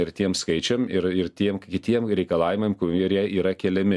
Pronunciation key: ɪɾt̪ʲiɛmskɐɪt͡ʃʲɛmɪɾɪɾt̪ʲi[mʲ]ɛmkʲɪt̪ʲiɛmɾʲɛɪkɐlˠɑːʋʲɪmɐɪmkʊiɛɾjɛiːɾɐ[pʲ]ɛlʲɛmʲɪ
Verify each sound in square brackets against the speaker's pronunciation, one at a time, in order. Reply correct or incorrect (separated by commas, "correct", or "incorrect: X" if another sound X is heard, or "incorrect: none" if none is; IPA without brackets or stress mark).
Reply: incorrect: none, incorrect: kʲ